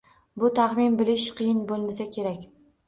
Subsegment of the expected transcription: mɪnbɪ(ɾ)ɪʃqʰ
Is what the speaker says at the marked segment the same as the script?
no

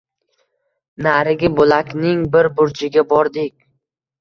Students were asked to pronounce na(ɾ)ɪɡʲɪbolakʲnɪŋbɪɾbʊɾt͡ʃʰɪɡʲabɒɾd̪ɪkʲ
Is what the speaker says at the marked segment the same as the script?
yes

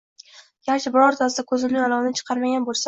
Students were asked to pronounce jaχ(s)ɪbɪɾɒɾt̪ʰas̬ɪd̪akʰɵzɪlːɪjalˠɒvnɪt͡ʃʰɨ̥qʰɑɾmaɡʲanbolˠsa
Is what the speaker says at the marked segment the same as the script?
no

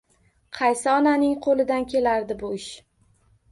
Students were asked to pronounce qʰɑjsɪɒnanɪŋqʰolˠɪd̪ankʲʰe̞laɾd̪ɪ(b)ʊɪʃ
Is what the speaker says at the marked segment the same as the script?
yes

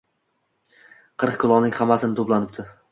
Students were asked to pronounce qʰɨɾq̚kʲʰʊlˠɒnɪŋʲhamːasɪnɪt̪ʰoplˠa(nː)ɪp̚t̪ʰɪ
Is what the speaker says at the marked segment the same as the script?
no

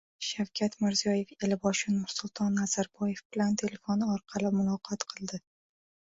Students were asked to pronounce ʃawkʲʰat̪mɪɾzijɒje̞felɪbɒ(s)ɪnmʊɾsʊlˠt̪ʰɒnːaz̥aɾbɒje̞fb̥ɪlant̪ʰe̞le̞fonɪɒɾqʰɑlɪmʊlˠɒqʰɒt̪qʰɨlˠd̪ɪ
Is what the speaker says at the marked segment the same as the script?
no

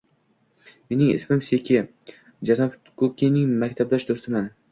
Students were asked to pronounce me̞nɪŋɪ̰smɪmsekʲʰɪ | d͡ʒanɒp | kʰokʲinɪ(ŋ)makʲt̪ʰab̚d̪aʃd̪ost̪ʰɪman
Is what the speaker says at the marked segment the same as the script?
yes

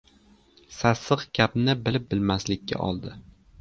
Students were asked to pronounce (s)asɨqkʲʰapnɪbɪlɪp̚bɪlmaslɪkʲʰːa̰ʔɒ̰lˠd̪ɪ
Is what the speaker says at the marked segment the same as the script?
yes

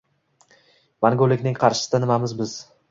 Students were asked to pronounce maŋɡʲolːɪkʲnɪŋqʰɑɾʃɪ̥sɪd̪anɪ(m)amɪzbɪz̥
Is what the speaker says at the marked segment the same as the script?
yes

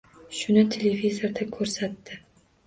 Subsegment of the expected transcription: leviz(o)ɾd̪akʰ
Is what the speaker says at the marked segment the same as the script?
yes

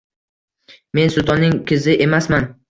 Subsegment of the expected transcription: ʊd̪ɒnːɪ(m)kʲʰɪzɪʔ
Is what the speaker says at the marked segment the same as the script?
no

